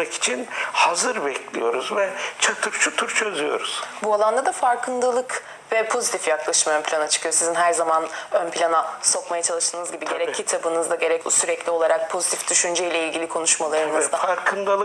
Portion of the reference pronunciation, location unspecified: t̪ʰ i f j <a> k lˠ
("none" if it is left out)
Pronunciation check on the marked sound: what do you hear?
a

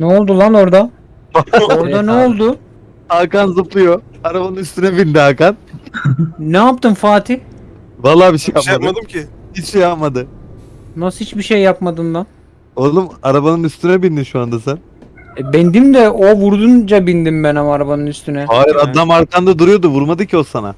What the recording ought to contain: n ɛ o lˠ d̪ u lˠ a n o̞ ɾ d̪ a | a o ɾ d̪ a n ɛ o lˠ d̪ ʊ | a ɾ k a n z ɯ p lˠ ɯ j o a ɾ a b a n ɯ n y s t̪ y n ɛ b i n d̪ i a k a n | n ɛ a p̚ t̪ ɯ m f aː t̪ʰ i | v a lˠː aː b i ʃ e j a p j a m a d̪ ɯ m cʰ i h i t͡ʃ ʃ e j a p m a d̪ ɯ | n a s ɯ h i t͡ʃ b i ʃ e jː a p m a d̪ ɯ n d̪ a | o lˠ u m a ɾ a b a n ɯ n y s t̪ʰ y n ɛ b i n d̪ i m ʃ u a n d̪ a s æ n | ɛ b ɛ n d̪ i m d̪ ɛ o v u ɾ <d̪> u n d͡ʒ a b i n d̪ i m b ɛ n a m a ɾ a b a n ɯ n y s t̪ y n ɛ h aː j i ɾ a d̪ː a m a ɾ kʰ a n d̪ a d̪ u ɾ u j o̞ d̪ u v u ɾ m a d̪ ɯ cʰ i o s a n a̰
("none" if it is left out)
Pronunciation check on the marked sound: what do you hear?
d̪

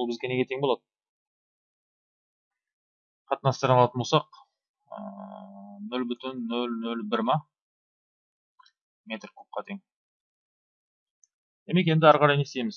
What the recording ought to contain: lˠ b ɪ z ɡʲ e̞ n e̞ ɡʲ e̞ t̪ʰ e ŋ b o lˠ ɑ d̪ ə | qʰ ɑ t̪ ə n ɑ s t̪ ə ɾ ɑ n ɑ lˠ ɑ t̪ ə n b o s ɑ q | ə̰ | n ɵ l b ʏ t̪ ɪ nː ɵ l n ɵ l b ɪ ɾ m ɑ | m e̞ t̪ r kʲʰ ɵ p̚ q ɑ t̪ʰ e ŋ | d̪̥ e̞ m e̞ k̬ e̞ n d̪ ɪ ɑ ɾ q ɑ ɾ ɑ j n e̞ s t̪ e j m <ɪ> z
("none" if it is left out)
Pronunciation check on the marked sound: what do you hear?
ɪ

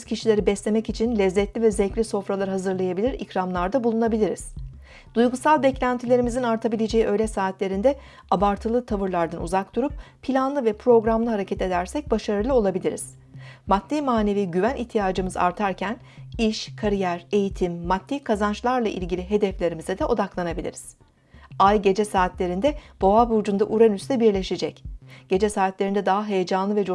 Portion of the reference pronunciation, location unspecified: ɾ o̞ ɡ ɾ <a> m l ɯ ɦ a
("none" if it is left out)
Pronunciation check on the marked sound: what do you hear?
a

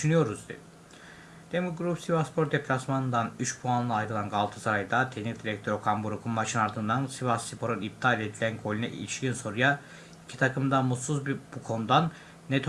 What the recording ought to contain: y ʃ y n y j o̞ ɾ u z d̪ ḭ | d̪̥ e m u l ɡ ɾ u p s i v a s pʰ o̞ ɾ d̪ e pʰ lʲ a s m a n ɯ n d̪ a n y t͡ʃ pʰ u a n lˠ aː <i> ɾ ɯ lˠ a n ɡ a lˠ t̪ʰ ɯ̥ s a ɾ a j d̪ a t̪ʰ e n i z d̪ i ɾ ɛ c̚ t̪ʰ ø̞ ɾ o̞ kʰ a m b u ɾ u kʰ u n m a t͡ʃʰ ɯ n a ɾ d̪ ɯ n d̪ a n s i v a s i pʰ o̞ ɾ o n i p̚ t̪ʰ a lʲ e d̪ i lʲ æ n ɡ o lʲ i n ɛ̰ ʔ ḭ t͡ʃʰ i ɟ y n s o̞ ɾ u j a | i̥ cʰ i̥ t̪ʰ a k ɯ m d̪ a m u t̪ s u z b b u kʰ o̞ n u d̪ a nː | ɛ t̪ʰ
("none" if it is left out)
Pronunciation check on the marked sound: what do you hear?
j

